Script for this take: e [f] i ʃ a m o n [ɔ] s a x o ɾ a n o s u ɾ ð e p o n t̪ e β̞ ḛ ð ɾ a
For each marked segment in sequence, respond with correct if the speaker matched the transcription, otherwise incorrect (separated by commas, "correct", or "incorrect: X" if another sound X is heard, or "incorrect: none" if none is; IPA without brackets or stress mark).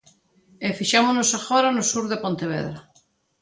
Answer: correct, incorrect: o